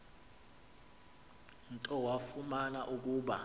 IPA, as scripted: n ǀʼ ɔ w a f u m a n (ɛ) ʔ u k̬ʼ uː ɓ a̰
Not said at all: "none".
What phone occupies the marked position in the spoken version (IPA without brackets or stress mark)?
a